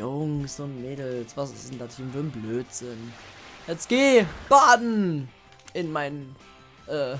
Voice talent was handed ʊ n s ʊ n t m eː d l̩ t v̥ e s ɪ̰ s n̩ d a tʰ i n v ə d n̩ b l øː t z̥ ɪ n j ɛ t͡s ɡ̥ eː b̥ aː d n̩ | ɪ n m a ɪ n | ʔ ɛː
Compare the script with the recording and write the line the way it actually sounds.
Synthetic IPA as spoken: ʊ ŋ s ʊ n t m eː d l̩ s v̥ a s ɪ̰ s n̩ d a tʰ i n v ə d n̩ b l øː t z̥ ɪ n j ɛ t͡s ɡ̥ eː b̥ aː d n̩ | ɪ n m a ɪ n | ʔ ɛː